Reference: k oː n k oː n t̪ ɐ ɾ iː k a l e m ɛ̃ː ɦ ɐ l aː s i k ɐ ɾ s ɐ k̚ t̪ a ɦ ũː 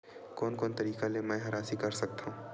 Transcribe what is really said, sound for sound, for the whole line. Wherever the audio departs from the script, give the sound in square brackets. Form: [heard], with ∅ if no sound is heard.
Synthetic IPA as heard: k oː n k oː n t̪ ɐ ɾ iː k a l e m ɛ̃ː ɦ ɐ [ɾ] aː s i k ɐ ɾ s ɐ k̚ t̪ a ɦ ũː